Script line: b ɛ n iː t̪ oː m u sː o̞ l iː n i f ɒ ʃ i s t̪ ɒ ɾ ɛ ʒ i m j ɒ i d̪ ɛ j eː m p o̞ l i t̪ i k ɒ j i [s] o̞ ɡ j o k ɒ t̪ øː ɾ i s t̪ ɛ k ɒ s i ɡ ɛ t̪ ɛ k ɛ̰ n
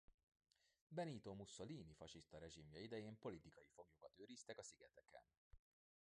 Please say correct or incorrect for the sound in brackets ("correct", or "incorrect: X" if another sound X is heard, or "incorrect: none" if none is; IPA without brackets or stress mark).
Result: incorrect: f